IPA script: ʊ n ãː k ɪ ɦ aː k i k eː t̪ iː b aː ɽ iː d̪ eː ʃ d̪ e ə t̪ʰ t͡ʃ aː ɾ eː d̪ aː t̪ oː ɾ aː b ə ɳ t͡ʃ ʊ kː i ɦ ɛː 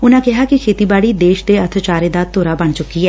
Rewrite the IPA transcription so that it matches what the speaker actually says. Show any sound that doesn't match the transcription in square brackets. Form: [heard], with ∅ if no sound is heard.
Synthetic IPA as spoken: ʊ n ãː k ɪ ɦ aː k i [kʰ] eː t̪ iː b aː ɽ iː d̪ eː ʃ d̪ e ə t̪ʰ t͡ʃ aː ɾ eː d̪ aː t̪ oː ɾ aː b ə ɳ t͡ʃ ʊ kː i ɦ ɛː